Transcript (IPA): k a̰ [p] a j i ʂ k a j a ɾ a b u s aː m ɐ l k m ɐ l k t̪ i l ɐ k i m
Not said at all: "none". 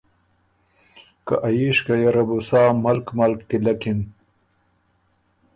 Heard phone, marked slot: ʔ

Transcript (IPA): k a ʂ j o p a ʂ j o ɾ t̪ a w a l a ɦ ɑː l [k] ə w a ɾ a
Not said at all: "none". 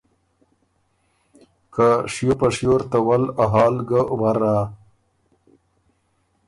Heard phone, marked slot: ɡ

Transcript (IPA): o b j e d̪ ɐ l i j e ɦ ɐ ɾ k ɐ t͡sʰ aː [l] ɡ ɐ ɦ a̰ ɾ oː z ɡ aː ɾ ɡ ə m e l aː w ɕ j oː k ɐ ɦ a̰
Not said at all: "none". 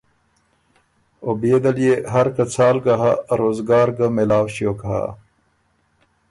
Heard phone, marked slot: l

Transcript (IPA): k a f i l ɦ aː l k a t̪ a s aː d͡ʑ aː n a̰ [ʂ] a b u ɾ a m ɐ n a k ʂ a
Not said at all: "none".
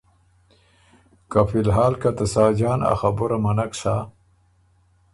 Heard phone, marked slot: x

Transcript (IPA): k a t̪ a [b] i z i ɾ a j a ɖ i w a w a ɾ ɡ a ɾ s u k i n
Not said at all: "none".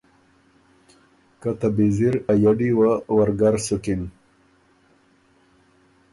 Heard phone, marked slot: b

